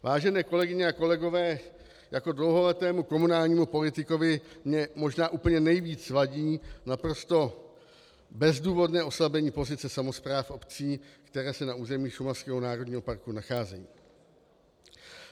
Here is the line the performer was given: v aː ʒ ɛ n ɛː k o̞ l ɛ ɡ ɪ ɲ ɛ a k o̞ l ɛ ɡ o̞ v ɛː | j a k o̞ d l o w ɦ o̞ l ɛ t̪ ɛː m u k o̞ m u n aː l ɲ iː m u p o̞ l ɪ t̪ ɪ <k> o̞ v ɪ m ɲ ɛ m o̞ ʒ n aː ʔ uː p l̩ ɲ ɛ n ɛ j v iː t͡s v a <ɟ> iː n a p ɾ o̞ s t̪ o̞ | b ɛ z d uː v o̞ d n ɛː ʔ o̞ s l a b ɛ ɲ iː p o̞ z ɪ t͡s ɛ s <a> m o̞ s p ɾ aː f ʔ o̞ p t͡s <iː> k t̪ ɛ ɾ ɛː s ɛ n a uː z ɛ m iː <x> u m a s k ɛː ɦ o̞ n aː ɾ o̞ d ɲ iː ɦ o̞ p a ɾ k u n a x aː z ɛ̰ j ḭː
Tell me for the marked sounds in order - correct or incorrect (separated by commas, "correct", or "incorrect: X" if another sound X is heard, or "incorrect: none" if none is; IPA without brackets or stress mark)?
correct, correct, correct, correct, incorrect: ʃ